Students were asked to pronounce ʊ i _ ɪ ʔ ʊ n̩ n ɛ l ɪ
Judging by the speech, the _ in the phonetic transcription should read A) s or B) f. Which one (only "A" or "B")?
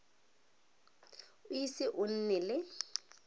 A